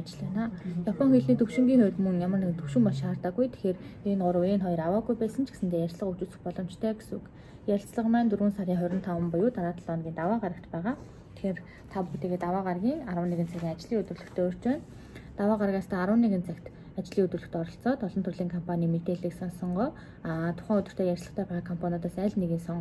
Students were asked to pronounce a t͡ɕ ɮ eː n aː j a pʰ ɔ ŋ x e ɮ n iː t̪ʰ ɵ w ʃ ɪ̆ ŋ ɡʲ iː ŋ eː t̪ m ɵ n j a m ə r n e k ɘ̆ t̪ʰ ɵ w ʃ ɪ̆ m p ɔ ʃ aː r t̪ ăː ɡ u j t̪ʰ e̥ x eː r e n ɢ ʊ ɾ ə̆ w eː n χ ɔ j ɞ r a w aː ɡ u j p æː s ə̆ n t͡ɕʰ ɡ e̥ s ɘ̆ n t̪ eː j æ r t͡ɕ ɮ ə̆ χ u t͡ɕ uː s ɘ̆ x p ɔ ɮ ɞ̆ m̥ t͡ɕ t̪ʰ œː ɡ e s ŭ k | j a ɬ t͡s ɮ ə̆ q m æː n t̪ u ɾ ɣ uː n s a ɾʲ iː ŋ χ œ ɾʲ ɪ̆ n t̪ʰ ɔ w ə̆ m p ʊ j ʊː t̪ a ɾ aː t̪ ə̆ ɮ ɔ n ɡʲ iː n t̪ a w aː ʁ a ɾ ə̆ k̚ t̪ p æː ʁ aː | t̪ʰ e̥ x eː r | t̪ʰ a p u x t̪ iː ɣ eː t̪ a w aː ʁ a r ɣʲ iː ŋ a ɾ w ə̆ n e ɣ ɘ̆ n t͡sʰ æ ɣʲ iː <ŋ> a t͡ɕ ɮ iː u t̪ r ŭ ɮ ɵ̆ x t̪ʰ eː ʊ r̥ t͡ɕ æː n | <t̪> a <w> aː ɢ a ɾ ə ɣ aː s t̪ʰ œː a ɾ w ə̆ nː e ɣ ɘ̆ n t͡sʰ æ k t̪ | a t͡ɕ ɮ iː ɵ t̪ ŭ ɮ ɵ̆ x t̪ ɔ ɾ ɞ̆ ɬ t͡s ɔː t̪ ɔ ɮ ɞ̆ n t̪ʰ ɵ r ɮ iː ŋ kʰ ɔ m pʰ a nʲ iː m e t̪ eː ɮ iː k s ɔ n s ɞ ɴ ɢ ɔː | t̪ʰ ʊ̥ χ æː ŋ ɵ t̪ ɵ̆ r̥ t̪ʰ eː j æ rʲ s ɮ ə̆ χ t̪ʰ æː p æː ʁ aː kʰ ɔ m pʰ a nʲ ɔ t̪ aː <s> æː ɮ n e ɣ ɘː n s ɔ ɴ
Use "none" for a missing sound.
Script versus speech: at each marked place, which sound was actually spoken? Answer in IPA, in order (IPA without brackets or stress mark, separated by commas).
ŋ, t̪, w, s